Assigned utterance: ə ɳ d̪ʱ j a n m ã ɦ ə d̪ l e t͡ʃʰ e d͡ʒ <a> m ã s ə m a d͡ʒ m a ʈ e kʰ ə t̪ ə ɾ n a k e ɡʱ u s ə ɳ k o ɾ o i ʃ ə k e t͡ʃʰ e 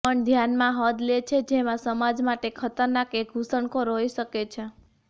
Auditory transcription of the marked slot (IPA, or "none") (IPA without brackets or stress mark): e